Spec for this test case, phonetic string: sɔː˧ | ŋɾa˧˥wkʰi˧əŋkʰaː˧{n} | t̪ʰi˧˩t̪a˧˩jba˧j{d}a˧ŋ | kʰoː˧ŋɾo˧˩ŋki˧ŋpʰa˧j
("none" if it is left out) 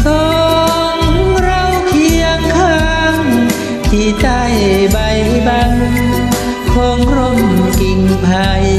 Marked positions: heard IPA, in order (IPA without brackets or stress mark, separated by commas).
ŋ, b